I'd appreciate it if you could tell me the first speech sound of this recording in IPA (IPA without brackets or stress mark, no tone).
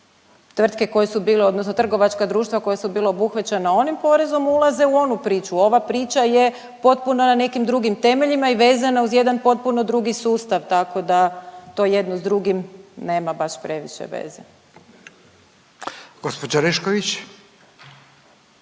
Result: t̪